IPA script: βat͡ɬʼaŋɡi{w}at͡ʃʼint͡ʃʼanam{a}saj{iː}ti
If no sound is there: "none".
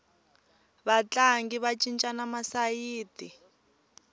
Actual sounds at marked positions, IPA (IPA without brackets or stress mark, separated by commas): β, a, iː